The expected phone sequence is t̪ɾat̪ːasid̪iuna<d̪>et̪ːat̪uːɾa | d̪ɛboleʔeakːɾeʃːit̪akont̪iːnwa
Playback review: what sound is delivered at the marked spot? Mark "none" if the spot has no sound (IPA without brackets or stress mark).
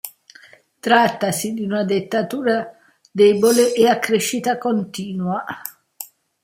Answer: d̪